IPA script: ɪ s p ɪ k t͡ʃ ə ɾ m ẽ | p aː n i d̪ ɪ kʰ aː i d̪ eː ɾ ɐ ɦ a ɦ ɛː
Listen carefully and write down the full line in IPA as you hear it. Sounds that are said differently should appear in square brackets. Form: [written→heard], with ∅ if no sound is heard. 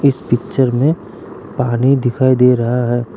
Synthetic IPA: ɪ s p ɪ k t͡ʃ ə ɾ m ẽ | p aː n i d̪ ɪ kʰ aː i d̪ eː ɾ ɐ ɦ a ɦ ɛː